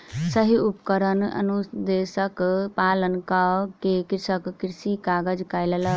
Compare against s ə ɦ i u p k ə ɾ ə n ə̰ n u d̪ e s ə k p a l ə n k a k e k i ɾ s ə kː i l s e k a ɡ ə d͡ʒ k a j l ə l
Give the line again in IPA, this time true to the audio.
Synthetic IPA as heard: s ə ɦ i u p k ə ɾ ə n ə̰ n u d̪ e s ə k p a l ə n k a k e k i ɾ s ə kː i ɾ s i k a ɡ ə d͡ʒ k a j l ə l